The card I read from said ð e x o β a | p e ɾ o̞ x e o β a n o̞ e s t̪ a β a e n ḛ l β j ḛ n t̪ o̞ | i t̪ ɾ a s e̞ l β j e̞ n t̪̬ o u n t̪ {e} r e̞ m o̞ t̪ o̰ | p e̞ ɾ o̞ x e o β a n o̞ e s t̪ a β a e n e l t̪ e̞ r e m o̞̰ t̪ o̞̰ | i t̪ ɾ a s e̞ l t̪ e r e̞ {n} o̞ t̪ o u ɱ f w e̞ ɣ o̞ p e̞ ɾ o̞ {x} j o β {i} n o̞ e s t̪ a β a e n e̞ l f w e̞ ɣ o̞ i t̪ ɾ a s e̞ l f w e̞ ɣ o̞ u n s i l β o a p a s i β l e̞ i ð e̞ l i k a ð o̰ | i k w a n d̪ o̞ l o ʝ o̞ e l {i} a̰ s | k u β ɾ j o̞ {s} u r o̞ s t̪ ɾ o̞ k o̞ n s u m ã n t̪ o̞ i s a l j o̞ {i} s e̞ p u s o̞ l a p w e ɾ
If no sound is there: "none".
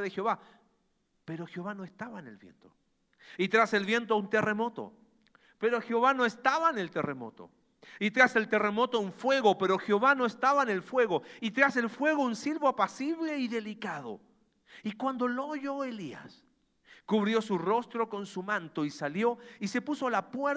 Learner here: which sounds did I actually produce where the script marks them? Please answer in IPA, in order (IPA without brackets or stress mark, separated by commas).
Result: e, m, x, a, i, s, i